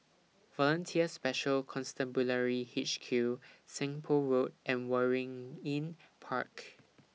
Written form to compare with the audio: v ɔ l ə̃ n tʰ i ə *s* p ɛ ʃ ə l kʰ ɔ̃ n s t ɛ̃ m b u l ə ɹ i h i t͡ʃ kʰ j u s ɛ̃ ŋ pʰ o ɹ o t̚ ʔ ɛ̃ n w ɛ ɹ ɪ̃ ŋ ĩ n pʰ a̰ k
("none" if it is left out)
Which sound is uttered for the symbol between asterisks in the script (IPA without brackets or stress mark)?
s